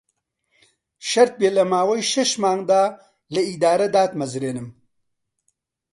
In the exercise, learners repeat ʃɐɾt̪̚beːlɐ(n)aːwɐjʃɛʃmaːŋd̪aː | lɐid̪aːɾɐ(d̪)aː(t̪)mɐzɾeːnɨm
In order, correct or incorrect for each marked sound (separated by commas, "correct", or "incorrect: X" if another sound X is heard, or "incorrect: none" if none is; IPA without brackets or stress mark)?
incorrect: m, correct, correct